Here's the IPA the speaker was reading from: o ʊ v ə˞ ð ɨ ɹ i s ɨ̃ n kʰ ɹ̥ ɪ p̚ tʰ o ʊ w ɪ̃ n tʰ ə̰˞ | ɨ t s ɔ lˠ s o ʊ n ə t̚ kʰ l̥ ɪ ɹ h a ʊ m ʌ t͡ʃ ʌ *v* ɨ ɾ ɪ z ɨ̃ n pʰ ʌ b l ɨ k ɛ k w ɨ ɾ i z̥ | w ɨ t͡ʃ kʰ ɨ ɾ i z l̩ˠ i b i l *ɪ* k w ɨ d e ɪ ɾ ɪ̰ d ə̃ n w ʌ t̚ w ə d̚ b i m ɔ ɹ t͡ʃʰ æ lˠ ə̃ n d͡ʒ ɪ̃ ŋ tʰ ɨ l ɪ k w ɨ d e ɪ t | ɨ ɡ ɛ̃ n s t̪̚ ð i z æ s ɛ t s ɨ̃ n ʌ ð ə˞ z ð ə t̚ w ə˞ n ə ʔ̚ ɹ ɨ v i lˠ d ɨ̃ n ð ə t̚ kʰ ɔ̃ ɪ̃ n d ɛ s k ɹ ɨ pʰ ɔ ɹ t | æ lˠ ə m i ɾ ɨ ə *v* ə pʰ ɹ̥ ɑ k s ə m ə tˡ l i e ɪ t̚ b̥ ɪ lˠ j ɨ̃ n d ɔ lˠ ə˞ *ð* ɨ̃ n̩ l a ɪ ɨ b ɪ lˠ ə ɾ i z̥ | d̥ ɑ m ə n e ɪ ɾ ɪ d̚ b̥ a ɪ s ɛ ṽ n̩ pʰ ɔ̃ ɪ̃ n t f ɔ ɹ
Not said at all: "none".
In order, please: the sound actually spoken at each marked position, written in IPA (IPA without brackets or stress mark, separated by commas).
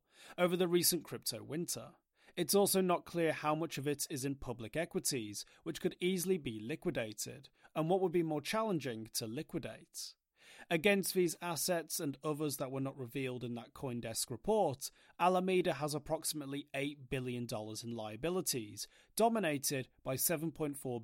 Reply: v, ɪ, z, z